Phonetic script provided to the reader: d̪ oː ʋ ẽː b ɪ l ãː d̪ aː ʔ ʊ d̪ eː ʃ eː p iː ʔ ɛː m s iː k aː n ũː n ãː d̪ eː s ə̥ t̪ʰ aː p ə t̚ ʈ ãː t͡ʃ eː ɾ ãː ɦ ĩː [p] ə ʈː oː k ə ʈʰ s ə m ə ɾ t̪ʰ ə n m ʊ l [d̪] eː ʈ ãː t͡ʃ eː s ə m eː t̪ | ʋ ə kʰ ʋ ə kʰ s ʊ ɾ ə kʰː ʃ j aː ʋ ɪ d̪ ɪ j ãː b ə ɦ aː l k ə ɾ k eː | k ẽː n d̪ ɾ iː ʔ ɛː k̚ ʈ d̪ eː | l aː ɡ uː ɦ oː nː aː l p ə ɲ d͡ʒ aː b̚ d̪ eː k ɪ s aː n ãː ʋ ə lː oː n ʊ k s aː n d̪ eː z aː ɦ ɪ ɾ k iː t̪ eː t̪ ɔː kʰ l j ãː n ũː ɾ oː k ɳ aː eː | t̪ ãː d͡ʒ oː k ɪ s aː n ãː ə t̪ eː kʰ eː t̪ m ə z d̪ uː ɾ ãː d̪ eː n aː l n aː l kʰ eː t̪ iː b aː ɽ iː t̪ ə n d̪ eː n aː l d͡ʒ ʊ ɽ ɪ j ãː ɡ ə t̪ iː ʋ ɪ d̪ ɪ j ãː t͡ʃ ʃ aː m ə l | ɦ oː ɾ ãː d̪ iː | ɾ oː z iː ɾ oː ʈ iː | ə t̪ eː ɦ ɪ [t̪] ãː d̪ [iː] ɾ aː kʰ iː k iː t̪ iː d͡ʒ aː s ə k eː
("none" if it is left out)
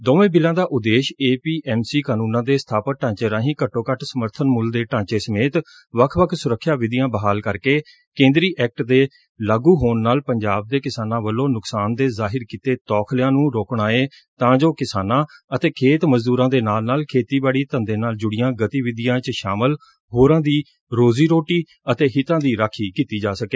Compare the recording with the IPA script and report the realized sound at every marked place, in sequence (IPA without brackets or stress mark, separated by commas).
k, d̪, t̪, iː